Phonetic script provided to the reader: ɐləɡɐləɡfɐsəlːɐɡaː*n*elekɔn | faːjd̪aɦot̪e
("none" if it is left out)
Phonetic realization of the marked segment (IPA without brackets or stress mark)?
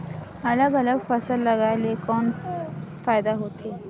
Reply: none